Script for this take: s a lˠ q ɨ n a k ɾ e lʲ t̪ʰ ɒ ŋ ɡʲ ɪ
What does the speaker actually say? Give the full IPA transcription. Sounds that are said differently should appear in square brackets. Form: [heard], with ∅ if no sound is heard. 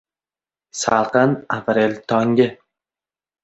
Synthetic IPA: s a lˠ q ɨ n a [p] ɾ e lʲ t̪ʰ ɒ ŋ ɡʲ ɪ